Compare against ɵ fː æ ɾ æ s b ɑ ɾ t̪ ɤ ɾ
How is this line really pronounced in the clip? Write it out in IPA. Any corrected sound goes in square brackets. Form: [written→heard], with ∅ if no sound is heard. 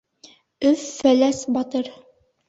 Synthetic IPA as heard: ɵ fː æ [ɾ→l] æ s b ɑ [ɾ→∅] t̪ ɤ ɾ